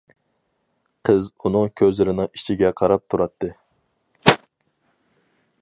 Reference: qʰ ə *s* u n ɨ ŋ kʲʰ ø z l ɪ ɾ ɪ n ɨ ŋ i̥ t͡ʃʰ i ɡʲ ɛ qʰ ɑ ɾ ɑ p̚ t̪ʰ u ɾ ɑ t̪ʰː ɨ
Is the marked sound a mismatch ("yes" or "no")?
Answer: yes